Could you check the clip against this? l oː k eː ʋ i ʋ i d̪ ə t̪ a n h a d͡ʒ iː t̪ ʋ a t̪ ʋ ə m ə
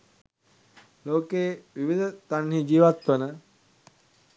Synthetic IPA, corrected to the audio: l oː k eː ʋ i ʋ i d̪ ə t̪ a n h i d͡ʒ iː ʋ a t̪ ʋ ə n ə